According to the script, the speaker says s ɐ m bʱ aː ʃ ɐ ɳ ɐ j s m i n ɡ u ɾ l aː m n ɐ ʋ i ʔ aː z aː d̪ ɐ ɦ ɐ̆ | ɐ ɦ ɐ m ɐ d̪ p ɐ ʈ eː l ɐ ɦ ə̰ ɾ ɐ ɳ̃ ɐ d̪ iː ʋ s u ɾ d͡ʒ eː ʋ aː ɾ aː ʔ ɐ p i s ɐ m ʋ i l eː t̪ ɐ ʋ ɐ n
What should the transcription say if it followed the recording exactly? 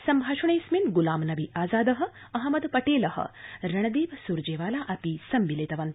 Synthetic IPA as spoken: s ɐ m bʱ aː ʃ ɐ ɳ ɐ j s m i n ɡ u l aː m n ɐ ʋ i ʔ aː z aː d̪ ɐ ɦ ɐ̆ | ɐ ɦ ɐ m ɐ d̪ p ɐ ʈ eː l ɐ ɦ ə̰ ɾ ɐ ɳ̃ ɐ d̪ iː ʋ s u ɾ d͡ʒ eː ʋ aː l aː ʔ ɐ p i s ɐ m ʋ i l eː t̪ ɐ ʋ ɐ n